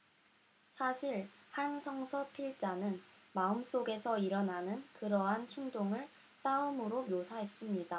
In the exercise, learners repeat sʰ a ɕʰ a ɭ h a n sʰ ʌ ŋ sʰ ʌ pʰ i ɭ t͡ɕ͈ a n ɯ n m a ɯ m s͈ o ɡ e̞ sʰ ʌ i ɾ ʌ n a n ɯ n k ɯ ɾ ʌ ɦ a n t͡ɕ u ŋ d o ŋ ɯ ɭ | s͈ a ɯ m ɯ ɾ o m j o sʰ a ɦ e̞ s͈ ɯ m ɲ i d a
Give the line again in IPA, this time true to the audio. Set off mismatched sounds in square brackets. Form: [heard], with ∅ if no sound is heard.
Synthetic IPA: sʰ a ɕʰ [i] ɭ h a n sʰ ʌ ŋ sʰ ʌ pʰ i ɭ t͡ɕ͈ a n ɯ n m a ɯ m s͈ o ɡ e̞ sʰ ʌ i ɾ ʌ n a n ɯ n k ɯ ɾ ʌ ɦ a n [t͡ɕʰ] u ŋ d o ŋ ɯ ɭ | s͈ a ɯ m ɯ ɾ o m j o sʰ a ɦ e̞ s͈ ɯ m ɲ i d a